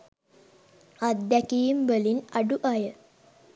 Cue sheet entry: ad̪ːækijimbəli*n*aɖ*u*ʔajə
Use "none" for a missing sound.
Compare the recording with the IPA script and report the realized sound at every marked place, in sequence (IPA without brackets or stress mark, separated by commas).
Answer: n, u